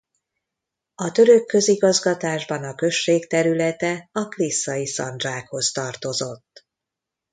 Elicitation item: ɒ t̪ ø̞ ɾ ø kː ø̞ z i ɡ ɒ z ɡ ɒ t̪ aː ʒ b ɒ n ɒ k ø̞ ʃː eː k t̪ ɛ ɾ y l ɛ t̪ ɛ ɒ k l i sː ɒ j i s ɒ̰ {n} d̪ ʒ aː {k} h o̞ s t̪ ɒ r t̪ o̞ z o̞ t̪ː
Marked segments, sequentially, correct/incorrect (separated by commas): correct, correct